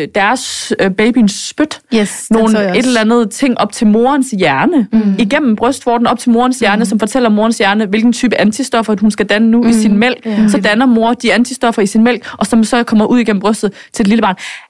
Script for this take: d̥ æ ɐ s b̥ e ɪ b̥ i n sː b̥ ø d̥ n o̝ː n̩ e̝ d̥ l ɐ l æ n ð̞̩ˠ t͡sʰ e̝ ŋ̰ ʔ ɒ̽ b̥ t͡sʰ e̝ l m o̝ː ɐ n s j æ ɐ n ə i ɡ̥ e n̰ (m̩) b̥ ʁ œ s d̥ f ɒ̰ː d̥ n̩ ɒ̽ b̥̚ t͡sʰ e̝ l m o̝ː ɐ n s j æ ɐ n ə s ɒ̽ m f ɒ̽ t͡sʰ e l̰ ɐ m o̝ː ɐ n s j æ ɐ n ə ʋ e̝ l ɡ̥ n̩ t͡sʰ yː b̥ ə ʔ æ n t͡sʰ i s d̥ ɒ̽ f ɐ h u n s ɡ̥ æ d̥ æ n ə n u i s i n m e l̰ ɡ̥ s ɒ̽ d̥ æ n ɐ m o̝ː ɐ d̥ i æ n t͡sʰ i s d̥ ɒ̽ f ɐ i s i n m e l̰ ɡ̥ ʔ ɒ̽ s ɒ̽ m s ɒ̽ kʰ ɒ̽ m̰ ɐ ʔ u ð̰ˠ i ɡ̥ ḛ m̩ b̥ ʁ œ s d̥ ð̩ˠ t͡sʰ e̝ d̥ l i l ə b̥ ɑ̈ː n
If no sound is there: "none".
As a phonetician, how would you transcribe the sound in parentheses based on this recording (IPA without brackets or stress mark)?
m̩